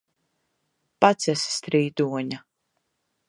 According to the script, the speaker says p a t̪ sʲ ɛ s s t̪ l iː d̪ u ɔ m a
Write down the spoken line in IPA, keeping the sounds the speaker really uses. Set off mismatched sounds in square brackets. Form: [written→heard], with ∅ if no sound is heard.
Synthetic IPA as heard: p a t̪ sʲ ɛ s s t̪ [l→ɾ] iː d̪ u ɔ [m→ɲ] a